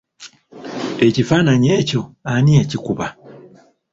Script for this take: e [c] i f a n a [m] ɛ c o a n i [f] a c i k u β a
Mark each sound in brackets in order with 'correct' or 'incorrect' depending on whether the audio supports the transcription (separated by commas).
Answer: correct, incorrect, incorrect